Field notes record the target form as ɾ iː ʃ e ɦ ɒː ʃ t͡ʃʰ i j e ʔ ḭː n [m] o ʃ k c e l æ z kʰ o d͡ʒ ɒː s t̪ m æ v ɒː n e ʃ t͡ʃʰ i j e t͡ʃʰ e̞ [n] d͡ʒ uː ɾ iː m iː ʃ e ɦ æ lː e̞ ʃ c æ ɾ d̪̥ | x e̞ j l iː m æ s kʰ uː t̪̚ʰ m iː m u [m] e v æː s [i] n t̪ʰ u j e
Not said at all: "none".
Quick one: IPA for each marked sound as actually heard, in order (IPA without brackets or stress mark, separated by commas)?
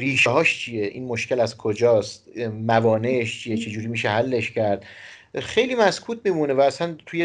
m, none, n, æ